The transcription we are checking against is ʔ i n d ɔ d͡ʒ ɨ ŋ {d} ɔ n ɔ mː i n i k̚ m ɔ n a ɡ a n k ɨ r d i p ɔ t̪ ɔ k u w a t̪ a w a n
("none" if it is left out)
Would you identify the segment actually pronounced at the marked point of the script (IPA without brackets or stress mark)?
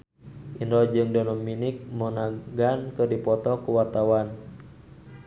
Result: d